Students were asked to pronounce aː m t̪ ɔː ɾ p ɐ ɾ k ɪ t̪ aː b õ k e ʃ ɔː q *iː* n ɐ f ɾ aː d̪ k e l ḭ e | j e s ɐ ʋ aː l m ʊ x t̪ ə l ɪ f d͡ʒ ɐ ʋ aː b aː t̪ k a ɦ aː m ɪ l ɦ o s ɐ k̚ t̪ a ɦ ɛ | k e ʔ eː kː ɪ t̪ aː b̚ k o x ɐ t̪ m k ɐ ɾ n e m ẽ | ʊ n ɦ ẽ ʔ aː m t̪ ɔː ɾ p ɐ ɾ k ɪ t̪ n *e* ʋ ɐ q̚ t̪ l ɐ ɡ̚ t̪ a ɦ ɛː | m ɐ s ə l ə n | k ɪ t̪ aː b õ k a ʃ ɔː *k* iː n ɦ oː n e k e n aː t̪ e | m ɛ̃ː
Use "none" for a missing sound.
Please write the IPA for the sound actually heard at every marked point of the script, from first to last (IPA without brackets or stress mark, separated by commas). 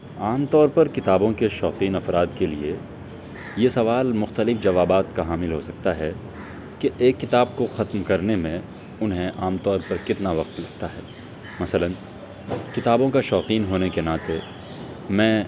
iː, a, q